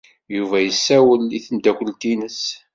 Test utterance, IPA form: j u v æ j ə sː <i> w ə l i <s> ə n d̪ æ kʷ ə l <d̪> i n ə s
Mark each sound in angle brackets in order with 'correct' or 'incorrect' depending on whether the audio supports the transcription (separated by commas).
incorrect, incorrect, incorrect